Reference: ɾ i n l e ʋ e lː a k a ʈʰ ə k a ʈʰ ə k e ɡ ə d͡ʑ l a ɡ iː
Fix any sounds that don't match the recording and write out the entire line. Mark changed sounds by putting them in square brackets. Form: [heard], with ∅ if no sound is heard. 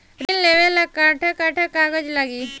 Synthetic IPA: ɾ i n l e ʋ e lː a k a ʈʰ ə k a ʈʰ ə k [a] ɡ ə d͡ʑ l a ɡ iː